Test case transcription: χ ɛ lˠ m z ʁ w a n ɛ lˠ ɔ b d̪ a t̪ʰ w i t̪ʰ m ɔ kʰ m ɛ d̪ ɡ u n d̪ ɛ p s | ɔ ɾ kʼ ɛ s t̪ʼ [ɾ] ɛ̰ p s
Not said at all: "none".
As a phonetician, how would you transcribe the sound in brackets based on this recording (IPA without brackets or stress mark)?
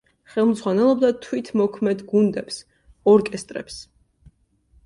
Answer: ɾ